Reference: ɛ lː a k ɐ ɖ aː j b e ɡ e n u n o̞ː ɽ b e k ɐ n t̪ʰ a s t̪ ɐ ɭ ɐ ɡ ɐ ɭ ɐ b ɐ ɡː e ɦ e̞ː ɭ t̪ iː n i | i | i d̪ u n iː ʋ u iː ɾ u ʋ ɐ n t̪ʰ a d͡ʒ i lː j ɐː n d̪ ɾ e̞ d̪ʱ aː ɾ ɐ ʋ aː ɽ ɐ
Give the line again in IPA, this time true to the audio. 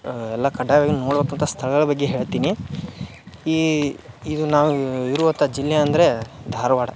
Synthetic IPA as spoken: ɛ lː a k ɐ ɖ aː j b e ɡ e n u n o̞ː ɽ b e k ɐ n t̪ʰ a s t̪ʰ ɐ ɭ ɐ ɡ ɐ ɭ ɐ b ɐ ɡː e ɦ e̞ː ɭ t̪ iː n i | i | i d̪ u n aː ʋ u i ɾ u ʋ ɐ n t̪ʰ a d͡ʒ i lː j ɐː n d̪ ɾ e̞ d̪ʱ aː ɾ ɐ ʋ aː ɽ ɐ